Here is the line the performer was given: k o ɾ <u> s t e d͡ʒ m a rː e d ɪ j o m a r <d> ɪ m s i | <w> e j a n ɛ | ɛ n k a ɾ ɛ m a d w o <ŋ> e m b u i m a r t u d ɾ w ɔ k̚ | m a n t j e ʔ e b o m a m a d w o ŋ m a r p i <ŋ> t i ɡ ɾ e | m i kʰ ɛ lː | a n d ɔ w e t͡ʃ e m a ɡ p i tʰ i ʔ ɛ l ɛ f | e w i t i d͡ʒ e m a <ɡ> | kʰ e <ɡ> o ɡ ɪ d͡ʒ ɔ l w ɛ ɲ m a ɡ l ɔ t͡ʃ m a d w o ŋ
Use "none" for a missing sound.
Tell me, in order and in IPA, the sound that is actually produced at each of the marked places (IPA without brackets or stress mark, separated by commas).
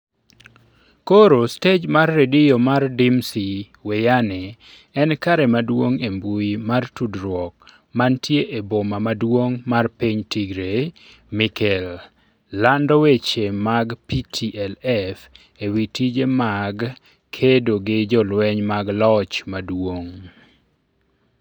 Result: o, d, w, ŋ, ɲ, ɡ, d